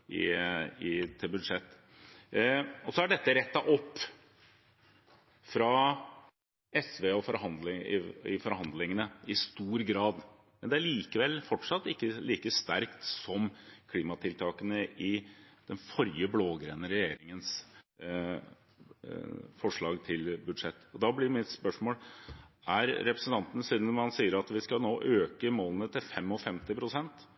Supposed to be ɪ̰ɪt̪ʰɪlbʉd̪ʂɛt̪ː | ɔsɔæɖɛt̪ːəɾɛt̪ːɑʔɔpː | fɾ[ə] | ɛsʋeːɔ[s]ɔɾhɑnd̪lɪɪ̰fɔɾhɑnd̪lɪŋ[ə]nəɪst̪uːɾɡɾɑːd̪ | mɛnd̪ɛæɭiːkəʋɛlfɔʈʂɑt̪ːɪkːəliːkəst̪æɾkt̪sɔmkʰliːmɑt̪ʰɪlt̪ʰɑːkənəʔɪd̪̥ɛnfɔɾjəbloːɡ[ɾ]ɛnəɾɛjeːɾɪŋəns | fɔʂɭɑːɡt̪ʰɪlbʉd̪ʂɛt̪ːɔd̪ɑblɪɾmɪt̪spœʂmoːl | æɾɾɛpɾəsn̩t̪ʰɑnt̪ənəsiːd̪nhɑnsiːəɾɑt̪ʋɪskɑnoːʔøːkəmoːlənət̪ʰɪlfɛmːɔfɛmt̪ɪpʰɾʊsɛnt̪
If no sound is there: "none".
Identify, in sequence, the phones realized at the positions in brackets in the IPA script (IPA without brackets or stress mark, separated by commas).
ɑ, f, ə, ɾ